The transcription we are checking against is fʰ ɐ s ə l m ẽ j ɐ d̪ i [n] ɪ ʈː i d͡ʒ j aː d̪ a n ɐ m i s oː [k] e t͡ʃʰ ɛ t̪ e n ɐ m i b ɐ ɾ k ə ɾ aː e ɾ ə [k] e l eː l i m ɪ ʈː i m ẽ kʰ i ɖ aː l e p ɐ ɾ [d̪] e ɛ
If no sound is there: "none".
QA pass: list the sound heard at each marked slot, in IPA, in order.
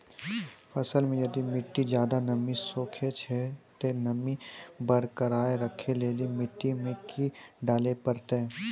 m, kʰ, kʰ, t̪

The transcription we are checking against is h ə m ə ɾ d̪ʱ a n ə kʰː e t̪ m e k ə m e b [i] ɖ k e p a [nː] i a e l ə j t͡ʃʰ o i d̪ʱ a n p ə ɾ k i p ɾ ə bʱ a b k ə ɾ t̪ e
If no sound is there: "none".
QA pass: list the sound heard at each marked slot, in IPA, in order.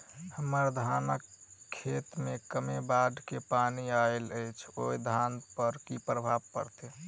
a, n

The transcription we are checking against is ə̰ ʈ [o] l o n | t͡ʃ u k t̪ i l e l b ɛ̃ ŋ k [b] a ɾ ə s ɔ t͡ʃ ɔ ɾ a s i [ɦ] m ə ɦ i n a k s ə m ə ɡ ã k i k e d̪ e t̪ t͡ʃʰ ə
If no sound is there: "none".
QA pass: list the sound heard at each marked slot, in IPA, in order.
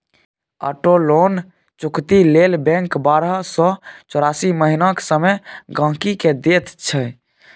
o, b, none

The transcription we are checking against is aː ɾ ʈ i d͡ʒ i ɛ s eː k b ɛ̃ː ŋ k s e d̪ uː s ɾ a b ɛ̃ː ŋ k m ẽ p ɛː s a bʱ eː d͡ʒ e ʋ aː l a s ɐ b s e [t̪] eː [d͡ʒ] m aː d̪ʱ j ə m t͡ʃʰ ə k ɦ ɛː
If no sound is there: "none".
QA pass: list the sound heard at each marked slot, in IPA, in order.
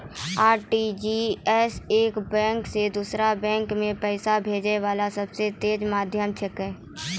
t̪, d͡ʒ

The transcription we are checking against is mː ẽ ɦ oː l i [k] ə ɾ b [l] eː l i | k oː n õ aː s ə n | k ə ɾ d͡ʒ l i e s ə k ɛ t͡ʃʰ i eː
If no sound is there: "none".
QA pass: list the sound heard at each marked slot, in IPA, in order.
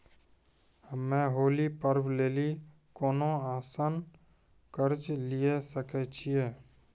p, l

